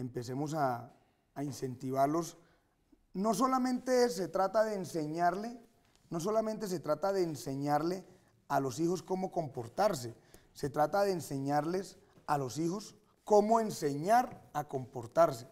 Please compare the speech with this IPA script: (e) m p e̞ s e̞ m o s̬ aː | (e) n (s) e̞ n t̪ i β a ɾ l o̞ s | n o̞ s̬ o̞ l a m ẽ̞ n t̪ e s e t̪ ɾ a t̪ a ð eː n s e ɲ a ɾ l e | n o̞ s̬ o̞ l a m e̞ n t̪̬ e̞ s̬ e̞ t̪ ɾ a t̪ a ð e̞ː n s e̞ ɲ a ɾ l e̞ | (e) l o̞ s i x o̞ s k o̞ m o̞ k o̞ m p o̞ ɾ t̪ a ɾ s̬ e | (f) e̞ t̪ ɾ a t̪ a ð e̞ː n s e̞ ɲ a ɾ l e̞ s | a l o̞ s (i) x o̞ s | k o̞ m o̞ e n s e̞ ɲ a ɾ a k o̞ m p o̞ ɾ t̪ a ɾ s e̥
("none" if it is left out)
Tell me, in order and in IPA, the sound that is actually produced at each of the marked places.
e, i, s, a, s, i

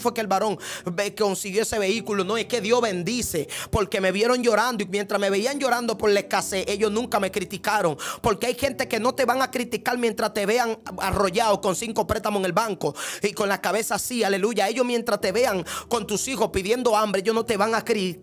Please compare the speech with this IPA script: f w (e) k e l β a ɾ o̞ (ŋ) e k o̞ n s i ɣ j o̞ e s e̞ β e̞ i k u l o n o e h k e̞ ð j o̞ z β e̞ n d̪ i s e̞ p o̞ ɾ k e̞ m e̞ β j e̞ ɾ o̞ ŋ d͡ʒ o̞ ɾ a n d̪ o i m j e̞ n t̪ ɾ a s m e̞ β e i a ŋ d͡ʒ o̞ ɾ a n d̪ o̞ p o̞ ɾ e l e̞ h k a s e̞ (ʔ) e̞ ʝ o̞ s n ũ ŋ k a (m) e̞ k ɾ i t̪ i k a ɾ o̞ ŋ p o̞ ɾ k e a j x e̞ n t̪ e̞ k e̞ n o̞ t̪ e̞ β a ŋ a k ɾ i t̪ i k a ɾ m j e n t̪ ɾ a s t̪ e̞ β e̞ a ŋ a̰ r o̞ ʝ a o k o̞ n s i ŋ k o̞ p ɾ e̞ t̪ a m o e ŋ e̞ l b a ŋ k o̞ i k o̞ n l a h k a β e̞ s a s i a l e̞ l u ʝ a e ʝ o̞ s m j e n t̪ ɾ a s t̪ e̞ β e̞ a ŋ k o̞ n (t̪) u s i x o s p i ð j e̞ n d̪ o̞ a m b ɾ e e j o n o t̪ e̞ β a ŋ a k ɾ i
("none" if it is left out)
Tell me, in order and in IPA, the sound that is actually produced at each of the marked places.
e, ŋ, ʔ, m, t̪

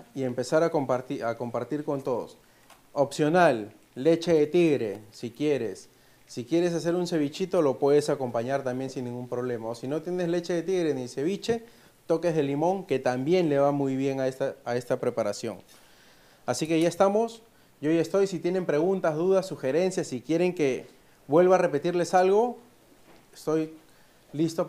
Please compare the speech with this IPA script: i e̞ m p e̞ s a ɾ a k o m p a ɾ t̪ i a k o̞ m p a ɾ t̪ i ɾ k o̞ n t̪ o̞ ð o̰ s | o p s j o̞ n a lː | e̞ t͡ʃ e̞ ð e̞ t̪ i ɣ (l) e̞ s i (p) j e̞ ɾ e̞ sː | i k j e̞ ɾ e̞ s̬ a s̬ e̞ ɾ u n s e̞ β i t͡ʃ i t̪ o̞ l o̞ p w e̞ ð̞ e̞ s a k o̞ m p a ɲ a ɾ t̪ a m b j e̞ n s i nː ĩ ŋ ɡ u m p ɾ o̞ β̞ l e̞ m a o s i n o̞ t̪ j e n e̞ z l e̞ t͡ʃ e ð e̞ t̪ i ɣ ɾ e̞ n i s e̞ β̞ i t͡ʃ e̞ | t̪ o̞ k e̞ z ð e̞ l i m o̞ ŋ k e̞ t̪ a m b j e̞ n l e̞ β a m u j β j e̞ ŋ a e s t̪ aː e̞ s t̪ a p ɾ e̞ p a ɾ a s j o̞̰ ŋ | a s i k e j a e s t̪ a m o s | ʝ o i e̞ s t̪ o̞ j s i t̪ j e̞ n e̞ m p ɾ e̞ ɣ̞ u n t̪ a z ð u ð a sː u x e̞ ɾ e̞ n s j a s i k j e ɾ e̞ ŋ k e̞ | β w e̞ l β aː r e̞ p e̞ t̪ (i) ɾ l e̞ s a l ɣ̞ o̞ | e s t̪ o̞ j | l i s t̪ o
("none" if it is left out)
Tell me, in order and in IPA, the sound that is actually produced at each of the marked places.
ɾ, k, i

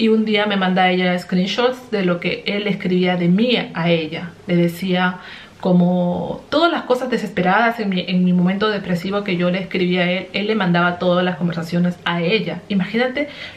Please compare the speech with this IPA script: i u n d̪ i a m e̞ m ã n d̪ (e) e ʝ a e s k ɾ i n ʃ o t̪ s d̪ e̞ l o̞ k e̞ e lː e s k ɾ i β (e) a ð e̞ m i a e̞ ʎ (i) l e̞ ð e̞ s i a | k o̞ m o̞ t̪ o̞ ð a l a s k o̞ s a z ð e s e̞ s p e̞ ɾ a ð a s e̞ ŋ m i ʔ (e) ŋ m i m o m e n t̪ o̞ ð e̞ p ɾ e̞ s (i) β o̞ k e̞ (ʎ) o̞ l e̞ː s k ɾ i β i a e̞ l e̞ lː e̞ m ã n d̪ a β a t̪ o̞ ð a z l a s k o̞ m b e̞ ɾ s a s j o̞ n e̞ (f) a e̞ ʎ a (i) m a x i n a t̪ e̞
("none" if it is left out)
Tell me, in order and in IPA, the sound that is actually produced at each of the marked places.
a, i, a, e, i, ʝ, s, i

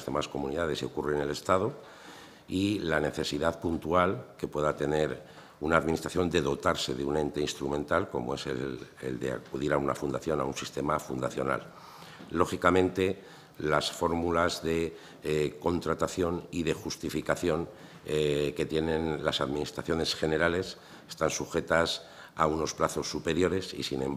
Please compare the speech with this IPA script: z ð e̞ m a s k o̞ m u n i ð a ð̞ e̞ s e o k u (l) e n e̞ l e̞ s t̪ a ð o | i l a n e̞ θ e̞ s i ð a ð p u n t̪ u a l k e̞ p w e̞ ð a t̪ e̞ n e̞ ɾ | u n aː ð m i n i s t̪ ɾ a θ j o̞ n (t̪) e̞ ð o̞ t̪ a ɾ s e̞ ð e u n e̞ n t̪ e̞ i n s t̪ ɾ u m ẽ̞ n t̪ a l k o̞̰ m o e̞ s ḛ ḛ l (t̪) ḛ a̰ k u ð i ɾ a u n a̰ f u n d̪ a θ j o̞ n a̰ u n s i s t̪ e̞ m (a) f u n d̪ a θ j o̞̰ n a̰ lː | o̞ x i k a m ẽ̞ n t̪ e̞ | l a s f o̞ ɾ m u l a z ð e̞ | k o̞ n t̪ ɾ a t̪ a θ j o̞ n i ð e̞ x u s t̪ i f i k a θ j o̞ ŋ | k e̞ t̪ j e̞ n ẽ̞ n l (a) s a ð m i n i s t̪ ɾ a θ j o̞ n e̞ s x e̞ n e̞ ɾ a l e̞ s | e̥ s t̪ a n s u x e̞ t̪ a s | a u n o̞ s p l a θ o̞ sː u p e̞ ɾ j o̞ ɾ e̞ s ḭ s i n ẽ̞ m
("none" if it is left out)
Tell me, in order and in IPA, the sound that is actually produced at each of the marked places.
r, d̪, d̪, a, a

